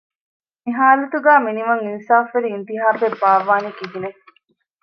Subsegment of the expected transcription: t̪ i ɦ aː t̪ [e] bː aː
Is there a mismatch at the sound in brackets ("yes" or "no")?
no